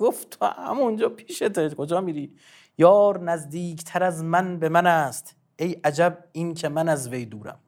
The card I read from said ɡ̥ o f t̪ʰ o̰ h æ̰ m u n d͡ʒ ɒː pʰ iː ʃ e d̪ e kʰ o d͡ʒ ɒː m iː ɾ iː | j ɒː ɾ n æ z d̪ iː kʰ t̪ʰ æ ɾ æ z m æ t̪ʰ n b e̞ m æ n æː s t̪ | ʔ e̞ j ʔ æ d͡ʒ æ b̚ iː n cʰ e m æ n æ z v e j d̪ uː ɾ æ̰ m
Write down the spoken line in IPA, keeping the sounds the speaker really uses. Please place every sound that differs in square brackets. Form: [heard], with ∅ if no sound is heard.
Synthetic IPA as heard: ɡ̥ o f t̪ʰ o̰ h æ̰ m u n d͡ʒ ɒː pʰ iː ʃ e [t̪] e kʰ o d͡ʒ ɒː m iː ɾ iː | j ɒː ɾ n æ z d̪ iː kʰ t̪ʰ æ ɾ æ z m æ [∅] n b e̞ m æ n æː s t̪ | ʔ e̞ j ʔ æ d͡ʒ æ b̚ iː n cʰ e m æ n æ z v e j d̪ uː ɾ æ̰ m